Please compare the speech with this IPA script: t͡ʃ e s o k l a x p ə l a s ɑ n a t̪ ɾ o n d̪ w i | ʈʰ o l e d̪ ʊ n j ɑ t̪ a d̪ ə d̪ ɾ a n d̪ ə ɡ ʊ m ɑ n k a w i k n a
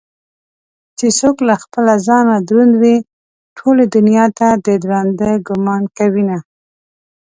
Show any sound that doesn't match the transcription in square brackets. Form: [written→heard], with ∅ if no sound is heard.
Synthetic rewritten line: t͡ʃ e s o k l a x p ə l a [s→z] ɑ n a [t̪→d̪] ɾ [o→u] n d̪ w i | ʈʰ o l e d̪ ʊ n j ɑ t̪ a d̪ ə d̪ ɾ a n d̪ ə ɡ ʊ m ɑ n k a w i [k→∅] n a